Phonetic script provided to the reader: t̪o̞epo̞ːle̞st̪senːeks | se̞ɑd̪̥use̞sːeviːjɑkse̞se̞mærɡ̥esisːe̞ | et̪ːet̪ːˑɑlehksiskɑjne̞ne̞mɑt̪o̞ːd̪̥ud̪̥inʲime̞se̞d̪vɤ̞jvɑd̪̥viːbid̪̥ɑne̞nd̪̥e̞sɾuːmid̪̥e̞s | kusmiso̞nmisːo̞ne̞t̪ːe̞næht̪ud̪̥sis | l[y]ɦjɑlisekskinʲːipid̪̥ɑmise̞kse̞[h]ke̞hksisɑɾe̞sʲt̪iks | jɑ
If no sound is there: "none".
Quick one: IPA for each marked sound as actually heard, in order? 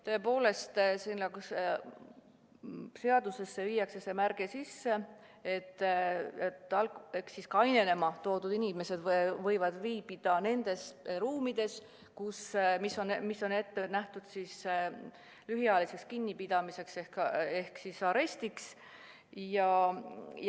y, h

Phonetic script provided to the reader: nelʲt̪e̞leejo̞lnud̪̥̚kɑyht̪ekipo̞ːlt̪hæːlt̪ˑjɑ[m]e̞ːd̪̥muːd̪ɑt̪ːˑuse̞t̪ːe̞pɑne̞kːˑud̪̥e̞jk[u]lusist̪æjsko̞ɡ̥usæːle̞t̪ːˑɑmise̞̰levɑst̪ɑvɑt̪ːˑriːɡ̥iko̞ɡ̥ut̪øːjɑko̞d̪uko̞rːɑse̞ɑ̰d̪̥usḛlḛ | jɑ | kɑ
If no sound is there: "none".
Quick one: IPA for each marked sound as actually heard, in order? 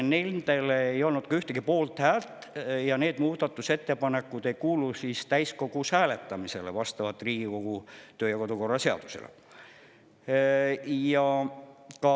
n, uː

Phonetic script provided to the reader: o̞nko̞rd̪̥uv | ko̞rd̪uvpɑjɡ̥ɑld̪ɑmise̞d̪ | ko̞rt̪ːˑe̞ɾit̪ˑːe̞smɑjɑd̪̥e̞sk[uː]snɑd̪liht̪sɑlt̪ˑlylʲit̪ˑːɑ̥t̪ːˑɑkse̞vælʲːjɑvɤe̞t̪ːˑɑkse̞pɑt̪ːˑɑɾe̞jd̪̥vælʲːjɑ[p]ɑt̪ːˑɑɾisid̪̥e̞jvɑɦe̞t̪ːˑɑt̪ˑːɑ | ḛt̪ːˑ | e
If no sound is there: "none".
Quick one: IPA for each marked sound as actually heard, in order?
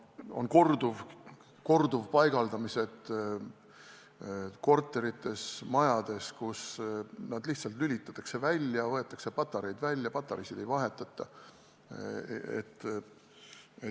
u, p

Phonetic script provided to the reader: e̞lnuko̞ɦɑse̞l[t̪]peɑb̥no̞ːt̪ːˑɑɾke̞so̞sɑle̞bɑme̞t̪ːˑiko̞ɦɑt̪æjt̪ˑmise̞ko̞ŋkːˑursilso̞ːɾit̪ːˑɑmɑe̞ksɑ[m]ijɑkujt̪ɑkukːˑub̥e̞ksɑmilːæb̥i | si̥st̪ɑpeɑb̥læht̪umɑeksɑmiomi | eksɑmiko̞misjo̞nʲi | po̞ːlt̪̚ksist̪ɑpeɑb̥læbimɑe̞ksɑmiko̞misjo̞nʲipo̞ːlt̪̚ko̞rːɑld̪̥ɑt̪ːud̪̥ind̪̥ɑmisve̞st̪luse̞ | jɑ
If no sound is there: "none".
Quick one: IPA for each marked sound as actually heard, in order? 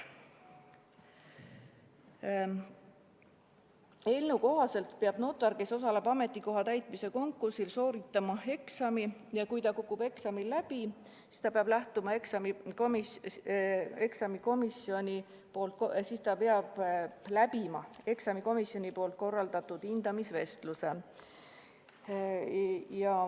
t̪, m

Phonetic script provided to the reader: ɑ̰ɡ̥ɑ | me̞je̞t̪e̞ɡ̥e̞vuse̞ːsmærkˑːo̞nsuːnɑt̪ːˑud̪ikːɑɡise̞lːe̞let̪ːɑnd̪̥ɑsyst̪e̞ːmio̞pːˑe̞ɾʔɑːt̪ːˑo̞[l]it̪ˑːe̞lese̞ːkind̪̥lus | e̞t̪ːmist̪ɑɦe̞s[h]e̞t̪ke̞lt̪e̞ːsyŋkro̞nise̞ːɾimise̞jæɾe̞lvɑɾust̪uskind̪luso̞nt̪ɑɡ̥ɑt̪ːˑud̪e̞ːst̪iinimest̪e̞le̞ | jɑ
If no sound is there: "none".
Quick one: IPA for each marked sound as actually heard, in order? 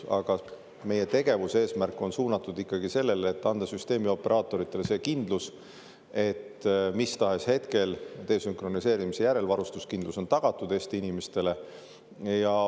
ɾ, h

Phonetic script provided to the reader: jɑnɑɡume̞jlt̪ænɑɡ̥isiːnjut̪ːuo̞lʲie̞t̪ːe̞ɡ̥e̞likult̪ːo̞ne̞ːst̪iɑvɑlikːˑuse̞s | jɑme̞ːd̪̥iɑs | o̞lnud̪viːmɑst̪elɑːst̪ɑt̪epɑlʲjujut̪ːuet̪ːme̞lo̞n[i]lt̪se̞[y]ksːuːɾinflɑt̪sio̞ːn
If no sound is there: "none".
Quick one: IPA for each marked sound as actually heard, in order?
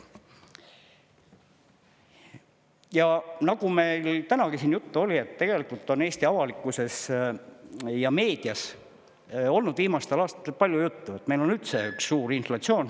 y, y

